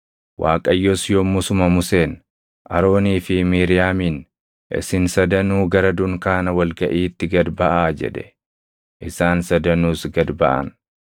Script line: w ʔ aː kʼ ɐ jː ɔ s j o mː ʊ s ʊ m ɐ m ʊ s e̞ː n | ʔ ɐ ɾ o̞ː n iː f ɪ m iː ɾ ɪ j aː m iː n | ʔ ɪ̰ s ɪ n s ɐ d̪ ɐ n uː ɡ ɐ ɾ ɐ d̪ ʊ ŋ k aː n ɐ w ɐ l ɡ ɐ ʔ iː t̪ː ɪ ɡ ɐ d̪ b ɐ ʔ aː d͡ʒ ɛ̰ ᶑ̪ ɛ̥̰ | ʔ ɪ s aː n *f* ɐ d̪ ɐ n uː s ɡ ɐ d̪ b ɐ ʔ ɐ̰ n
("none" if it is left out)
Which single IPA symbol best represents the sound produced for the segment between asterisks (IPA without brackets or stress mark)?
s